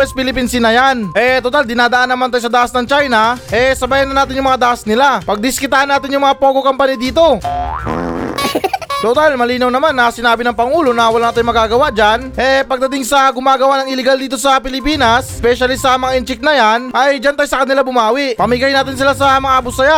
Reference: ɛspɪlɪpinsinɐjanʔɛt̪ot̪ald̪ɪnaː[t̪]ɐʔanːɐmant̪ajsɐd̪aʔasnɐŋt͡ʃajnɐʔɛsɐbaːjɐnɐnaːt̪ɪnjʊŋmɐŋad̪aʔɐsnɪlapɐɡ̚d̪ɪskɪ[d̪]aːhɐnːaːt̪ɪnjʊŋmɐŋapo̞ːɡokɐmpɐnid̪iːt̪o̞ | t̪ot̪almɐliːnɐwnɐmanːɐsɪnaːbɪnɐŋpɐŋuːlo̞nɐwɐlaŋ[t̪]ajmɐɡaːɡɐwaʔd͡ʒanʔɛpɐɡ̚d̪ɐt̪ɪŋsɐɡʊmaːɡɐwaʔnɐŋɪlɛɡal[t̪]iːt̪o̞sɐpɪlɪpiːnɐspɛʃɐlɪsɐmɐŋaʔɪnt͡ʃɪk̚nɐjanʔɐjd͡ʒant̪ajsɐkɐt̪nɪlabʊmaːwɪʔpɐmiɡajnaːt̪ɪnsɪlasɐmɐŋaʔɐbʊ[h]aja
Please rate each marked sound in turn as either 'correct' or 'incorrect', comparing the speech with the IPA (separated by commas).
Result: incorrect, incorrect, correct, incorrect, incorrect